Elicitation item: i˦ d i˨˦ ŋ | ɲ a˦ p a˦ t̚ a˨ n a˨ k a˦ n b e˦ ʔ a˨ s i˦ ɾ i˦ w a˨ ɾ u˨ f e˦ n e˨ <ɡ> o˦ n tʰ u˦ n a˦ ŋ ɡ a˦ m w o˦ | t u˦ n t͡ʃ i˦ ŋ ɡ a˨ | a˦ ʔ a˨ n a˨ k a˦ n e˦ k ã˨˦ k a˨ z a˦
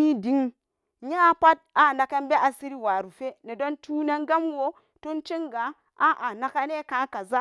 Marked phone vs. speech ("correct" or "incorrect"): incorrect